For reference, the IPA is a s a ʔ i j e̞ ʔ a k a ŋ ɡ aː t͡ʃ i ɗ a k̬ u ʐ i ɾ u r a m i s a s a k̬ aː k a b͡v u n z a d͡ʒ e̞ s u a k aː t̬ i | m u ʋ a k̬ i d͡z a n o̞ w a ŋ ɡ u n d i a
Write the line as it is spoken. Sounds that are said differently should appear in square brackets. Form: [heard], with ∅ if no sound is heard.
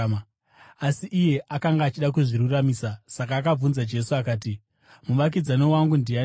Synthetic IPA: a s [i] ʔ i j e̞ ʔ a k a ŋ ɡ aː t͡ʃ i ɗ a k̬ u ʐ i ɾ u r a m i s a s a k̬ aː k a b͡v u n z a d͡ʒ e̞ s u a k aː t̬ i | m u ʋ a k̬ i d͡z a n o̞ w a ŋ ɡ u n d i a